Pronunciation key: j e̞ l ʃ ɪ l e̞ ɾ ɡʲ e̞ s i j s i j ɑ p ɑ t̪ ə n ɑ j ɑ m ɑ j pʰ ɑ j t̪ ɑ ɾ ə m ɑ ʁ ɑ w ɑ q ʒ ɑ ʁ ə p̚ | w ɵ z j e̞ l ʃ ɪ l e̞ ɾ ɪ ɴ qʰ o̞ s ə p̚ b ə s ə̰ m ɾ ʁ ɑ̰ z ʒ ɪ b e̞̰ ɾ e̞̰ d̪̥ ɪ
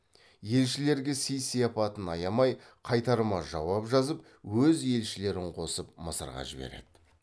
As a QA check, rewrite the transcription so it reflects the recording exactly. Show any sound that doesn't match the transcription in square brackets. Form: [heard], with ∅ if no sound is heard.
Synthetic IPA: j e̞ l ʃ ɪ l e̞ ɾ ɡʲ e̞ s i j s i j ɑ p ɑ t̪ ə n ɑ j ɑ m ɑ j [qʰ] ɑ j t̪ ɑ ɾ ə m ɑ [ʒ] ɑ w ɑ [p] ʒ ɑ [z] ə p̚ | w ɵ z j e̞ l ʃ ɪ l e̞ ɾ ɪ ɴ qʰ o̞ s ə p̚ [m] ə s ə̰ [∅] ɾ ʁ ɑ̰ [∅] ʒ ɪ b e̞̰ ɾ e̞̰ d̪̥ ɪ